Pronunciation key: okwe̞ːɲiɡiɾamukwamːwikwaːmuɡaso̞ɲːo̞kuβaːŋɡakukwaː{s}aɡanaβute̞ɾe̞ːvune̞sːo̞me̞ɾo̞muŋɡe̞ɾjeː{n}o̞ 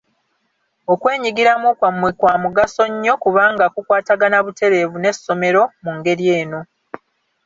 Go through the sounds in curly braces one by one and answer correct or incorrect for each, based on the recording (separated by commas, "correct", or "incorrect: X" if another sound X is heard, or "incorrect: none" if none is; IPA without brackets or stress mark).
incorrect: t, correct